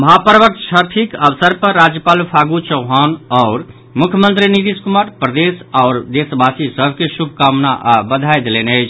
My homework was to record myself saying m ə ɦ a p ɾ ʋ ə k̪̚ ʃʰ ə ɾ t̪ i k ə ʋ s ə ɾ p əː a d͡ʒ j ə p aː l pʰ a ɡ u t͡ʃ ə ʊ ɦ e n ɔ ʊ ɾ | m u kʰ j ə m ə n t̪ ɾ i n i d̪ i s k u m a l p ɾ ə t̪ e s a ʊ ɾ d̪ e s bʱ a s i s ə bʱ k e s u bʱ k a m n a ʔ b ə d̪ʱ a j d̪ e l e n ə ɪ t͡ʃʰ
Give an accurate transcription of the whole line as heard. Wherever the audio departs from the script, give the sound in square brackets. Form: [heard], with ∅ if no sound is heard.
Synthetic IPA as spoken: m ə ɦ a p ɾ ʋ ə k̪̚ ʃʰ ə ɾ [t̪ʰ] i k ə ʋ s ə ɾ p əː a d͡ʒ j ə p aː l pʰ a ɡ u t͡ʃ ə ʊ ɦ [a] n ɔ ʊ ɾ | m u kʰ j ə m ə n t̪ ɾ i n i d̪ i s k u m a [ɾ] p ɾ ə [d̪] e s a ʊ ɾ d̪ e s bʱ a s i s ə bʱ k e s u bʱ k a m n a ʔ b ə d̪ʱ a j d̪ e l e n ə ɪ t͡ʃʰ